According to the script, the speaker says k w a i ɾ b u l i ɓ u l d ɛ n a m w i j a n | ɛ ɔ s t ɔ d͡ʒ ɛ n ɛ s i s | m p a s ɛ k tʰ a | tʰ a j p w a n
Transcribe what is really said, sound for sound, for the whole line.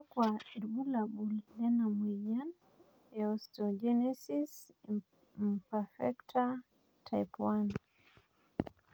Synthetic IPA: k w a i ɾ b u l a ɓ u l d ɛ n a m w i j a n | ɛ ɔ s t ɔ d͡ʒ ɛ n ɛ s i s | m p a f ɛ k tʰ a | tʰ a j p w a n